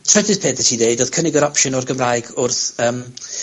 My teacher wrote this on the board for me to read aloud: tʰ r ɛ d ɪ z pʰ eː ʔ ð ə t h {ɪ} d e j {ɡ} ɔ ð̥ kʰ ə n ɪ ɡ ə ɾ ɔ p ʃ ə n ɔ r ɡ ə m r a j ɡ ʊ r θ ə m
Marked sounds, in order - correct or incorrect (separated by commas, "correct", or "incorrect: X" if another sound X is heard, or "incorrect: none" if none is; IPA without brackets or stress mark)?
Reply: incorrect: i, incorrect: d